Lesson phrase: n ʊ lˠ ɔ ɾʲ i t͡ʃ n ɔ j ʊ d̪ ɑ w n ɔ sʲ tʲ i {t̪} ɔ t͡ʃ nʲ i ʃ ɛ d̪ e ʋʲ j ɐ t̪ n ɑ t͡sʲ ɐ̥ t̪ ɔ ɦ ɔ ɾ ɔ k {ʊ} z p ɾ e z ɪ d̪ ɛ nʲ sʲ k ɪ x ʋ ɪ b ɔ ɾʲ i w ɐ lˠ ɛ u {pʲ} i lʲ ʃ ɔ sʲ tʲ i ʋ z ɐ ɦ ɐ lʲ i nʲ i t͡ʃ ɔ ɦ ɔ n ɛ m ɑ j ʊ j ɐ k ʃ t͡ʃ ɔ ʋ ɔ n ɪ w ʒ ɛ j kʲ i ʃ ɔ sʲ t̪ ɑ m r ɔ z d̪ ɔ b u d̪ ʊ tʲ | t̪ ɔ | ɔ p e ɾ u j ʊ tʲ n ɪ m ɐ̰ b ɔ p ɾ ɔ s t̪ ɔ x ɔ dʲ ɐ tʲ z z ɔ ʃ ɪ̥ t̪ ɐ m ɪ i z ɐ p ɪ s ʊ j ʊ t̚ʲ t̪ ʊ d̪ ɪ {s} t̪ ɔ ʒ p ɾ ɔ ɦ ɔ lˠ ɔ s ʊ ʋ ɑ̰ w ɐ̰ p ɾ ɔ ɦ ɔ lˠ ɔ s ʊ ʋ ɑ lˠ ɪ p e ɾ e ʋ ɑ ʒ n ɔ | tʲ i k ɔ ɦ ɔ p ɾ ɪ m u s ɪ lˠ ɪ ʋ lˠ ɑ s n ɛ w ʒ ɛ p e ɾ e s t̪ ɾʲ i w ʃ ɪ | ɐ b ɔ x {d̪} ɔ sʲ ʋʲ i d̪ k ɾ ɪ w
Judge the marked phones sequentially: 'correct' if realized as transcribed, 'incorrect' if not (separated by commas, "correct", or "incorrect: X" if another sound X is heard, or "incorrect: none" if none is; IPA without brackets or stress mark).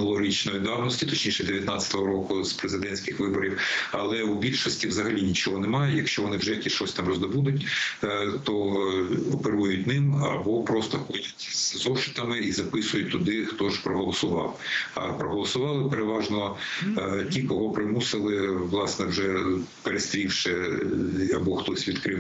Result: correct, correct, incorrect: bʲ, incorrect: x, incorrect: t̪